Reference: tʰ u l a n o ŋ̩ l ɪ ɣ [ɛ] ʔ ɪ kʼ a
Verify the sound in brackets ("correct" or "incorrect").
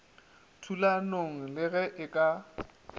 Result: correct